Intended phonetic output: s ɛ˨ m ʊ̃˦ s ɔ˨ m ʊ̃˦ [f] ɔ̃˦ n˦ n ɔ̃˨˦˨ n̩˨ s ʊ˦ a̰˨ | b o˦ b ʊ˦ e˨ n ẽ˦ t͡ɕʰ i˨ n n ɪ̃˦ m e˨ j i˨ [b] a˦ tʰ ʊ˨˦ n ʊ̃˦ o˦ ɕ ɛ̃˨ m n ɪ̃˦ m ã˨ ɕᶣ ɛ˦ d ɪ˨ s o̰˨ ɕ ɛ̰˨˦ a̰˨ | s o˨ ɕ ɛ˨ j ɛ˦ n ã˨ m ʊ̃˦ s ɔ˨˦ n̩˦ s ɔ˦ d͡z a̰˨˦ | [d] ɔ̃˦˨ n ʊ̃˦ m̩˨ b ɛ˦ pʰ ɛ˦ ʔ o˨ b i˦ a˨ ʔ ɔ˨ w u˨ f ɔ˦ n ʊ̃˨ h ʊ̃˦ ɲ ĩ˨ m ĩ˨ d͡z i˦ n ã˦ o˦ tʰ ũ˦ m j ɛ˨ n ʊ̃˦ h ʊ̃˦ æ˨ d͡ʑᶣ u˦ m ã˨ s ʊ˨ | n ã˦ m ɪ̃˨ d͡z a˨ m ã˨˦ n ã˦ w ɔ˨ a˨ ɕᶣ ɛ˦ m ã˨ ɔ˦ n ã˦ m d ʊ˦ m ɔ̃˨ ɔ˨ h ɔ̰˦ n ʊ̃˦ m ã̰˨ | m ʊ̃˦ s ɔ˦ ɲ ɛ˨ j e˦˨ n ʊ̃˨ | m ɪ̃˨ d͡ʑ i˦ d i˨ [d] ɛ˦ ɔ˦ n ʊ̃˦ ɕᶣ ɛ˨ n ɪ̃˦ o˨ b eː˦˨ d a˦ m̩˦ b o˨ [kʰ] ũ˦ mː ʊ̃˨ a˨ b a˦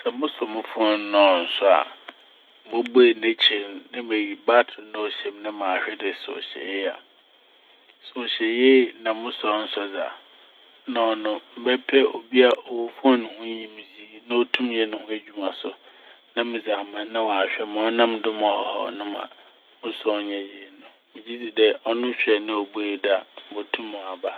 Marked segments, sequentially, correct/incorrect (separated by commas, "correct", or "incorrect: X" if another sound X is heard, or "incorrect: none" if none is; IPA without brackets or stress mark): correct, correct, incorrect: n, correct, incorrect: tʰ